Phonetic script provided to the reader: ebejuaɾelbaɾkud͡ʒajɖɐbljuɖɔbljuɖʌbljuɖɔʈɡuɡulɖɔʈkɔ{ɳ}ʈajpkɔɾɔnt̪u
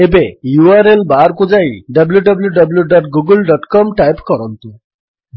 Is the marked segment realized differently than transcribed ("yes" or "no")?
yes